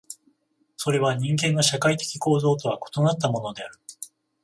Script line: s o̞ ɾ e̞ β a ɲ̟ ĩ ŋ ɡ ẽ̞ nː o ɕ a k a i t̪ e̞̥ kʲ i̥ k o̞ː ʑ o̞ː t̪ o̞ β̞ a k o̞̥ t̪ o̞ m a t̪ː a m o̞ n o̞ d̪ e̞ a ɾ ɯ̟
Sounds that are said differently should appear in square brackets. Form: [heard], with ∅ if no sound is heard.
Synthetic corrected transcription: s o̞ ɾ e̞ β a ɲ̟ ĩ ŋ ɡ ẽ̞ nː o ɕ a k a i t̪ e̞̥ kʲ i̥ k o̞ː [z] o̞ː t̪ o̞ β̞ a k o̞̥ t̪ o̞ [n] a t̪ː a m o̞ n o̞ d̪ e̞ a ɾ ɯ̟